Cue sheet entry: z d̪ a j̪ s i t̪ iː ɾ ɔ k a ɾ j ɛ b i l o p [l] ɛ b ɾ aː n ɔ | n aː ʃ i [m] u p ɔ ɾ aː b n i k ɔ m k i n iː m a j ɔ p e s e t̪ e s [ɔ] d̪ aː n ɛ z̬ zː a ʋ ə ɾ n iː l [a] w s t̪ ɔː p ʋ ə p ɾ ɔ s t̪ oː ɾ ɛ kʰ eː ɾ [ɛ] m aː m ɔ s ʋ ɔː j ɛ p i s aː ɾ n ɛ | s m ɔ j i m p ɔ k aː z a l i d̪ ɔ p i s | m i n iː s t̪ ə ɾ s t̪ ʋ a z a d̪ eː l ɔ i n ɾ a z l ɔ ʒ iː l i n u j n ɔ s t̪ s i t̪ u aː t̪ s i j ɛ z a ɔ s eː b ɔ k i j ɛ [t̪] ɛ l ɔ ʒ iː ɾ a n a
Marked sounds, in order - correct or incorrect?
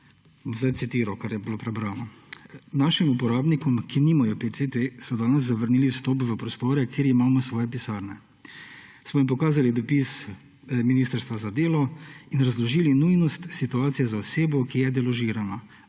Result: incorrect: ɾ, correct, correct, incorrect: i, incorrect: i, incorrect: d̪

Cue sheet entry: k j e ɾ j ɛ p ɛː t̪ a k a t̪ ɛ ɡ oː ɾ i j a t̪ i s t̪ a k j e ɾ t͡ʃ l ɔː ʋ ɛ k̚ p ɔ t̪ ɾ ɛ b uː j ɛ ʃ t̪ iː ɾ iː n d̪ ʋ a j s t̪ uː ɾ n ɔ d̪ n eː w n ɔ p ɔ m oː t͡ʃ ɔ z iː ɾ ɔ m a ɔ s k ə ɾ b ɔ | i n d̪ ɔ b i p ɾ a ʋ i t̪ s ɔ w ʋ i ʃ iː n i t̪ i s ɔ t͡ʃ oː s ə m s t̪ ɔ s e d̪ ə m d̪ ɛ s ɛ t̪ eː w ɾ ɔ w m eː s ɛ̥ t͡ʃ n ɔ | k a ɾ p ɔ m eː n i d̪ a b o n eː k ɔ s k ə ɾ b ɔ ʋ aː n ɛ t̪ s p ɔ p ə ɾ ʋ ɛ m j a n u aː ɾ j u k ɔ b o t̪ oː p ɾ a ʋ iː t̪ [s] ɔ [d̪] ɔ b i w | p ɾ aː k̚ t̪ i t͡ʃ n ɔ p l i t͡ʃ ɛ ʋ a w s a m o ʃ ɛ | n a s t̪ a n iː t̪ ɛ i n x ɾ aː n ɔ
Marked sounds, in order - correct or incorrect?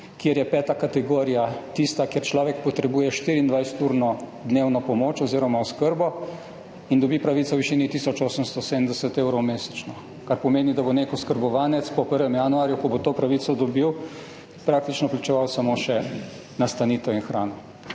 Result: correct, correct

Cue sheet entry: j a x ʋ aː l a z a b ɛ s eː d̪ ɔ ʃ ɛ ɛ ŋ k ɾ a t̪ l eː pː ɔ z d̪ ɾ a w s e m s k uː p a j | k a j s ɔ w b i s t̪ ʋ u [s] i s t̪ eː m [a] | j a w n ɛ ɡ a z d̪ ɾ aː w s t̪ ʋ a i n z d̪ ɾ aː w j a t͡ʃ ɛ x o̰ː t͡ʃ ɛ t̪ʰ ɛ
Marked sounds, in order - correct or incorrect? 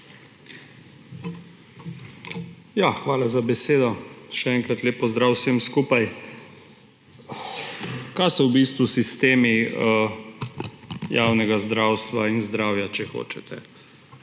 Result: correct, incorrect: i

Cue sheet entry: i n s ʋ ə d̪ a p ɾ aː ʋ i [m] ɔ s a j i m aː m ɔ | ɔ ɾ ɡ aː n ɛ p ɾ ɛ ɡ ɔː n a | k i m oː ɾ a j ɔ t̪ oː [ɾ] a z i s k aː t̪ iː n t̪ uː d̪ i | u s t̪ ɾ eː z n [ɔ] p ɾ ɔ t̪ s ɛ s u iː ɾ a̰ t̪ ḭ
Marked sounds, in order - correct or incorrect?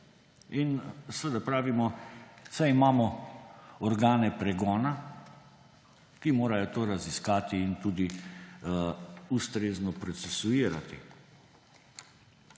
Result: correct, correct, correct

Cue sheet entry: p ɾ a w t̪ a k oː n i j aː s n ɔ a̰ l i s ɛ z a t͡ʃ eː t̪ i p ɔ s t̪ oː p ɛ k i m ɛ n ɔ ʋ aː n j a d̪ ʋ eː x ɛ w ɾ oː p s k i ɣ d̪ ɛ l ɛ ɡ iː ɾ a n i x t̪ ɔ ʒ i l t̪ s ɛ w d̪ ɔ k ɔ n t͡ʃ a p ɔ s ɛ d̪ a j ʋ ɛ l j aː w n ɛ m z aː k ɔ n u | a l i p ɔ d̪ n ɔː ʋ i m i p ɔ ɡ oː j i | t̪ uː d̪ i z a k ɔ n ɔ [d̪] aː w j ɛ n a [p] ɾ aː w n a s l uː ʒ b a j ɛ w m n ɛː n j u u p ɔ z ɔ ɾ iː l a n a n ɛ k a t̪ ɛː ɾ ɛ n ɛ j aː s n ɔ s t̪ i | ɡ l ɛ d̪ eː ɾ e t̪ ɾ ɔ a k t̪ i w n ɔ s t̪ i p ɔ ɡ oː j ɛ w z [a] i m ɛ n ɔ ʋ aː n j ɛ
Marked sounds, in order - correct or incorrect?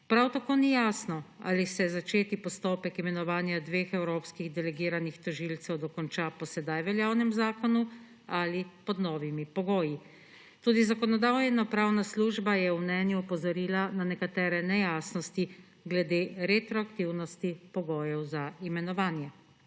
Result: correct, correct, correct

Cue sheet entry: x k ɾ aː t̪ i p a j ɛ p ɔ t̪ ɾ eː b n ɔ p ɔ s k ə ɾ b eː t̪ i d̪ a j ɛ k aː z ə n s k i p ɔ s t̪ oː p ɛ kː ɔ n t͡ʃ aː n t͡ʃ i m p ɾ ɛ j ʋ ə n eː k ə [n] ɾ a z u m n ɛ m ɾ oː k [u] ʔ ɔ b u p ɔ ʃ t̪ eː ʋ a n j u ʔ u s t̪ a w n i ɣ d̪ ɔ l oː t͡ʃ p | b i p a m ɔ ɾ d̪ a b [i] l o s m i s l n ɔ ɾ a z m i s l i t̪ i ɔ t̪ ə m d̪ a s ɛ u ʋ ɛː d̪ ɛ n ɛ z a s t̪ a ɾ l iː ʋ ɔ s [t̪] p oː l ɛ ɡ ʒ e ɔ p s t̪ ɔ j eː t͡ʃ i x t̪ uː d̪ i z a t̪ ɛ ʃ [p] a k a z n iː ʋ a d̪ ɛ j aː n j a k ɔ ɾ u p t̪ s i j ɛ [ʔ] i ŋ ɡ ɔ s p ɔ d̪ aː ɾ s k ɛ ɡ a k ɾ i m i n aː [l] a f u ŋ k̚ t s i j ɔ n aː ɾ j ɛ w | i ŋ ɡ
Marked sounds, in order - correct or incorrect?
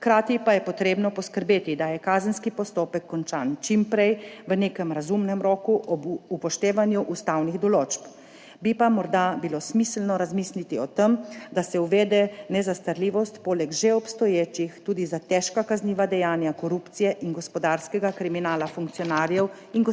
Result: incorrect: m, correct, correct, correct, incorrect: k, correct, correct

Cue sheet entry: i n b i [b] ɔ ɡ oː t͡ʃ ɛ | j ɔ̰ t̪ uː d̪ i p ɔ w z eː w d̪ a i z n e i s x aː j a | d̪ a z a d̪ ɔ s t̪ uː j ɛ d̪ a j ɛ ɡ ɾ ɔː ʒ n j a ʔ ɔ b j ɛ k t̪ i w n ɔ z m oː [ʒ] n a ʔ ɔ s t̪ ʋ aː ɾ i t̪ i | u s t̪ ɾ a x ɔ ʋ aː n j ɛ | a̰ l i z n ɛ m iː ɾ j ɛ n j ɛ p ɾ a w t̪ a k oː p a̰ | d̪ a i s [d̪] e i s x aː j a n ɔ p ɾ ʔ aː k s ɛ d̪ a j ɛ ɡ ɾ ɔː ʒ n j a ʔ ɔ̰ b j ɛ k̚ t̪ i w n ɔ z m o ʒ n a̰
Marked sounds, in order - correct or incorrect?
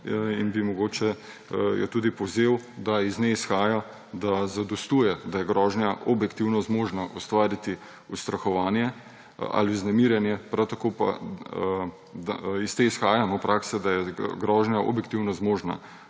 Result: incorrect: m, correct, incorrect: t̪

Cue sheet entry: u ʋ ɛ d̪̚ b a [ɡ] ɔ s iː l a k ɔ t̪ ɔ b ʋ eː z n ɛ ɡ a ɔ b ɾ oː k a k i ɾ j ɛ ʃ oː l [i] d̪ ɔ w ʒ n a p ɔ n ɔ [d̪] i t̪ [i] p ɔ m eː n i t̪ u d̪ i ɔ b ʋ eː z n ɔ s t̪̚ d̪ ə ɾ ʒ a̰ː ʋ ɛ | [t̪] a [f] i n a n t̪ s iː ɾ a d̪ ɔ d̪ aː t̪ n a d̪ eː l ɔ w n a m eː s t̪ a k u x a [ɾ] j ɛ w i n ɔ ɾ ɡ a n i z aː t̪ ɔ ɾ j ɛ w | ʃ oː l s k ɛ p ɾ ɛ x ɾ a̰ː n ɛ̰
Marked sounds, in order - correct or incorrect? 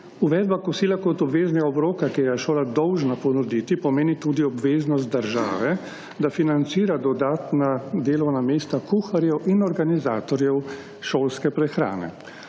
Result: incorrect: k, incorrect: a, correct, correct, incorrect: d̪, correct, correct

